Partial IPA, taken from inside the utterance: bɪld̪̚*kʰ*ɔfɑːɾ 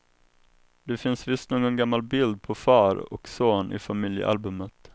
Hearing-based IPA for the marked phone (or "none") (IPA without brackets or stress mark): pʰ